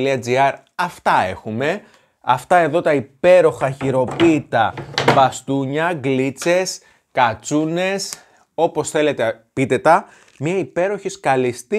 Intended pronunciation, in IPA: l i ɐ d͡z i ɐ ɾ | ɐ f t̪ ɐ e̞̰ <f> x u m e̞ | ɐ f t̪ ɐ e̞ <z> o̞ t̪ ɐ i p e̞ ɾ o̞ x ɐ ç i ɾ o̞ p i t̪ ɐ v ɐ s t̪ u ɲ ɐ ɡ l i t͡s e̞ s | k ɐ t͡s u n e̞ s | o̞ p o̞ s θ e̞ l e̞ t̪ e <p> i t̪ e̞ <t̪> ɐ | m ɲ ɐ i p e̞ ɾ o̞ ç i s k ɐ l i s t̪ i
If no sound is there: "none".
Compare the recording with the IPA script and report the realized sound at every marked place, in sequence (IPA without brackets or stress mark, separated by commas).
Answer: none, ð, p, t̪